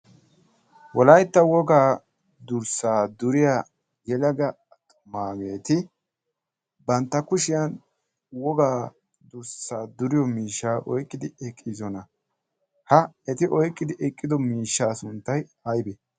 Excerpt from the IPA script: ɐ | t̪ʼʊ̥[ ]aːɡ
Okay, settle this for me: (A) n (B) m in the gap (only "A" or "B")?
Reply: B